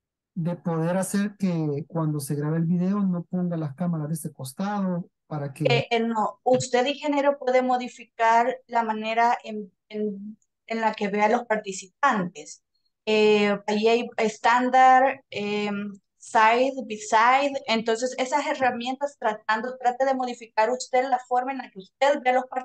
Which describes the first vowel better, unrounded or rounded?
unrounded